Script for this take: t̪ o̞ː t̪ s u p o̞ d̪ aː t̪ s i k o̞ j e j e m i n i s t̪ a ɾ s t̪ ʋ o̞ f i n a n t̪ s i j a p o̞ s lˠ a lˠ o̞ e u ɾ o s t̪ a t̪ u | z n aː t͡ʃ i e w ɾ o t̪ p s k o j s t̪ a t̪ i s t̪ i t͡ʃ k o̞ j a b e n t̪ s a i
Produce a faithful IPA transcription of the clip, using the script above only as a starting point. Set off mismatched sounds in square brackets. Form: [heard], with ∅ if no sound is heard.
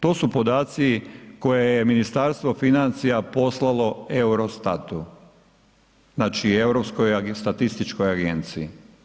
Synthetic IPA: t̪ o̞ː [∅] s u p o̞ d̪ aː t̪ s i k o̞ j e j e m i n i s t̪ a ɾ s t̪ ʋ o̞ f i n a n t̪ s i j a p o̞ s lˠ a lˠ o̞ e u ɾ o s t̪ a t̪ u | z n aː t͡ʃ i e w ɾ o [∅] p s k o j s t̪ a t̪ i s t̪ i t͡ʃ k o̞ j a [ɡ] e n t̪ s [i] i